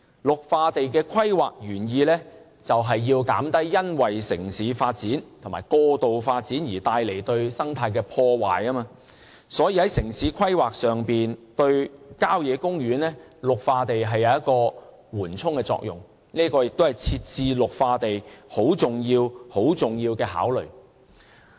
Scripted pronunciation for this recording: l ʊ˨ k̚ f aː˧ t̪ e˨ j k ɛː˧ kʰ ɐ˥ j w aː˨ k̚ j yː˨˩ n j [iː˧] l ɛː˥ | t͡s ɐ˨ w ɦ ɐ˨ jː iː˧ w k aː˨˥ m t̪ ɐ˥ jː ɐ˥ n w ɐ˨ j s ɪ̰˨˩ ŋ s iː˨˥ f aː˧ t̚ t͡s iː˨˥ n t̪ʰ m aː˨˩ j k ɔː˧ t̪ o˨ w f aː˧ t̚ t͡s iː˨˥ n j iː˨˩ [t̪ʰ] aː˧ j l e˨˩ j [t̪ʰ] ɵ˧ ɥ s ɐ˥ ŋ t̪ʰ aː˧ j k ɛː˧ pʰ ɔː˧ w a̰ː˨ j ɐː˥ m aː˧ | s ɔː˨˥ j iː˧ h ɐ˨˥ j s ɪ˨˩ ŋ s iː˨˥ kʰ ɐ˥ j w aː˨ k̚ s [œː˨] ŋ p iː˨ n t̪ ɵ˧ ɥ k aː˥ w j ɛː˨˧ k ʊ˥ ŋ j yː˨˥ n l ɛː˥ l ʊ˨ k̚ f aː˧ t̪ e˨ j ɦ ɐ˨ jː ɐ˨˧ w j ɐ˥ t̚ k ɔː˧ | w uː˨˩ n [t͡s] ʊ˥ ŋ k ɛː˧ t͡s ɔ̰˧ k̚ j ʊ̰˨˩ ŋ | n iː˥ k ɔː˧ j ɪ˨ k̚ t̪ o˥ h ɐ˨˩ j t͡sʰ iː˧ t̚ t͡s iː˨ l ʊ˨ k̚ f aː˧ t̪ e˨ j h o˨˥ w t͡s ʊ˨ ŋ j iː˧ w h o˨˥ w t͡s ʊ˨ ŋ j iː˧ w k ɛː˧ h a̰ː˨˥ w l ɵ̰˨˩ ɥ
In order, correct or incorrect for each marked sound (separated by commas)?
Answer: correct, incorrect, incorrect, correct, incorrect